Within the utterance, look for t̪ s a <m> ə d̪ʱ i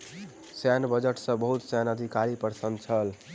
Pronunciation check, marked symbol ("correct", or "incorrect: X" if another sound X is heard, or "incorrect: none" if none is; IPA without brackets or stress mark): incorrect: n